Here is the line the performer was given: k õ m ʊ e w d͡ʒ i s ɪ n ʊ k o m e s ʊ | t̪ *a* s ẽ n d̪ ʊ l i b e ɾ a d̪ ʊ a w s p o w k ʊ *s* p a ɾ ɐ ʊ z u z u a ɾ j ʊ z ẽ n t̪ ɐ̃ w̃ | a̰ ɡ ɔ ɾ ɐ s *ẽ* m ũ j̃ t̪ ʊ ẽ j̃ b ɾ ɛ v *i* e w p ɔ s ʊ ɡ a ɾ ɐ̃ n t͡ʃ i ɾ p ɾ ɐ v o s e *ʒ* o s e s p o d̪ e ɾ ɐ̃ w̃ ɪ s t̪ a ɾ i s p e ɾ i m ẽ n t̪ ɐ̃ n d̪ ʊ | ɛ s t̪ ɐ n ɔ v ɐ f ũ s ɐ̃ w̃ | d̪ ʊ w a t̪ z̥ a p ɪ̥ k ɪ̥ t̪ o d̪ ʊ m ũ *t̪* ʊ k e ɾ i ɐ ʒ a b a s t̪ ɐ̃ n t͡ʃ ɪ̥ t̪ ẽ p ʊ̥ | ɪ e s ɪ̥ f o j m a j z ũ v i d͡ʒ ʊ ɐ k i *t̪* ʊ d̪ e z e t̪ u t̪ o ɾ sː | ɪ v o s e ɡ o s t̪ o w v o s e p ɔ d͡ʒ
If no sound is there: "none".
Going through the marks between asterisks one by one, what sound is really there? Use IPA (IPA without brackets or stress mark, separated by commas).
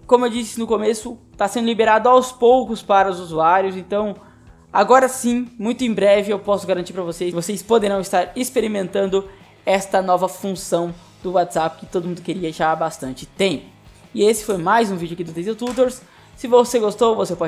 a, s, ĩ, ɪ, v, d̪, d̪